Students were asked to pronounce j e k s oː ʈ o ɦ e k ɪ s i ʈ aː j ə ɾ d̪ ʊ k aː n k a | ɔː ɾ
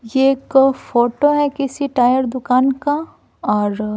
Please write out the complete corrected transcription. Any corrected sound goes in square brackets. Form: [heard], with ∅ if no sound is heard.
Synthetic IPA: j e k [f] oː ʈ o ɦ [ɛ] k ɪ s i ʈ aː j ə ɾ d̪ ʊ k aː n k a | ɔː ɾ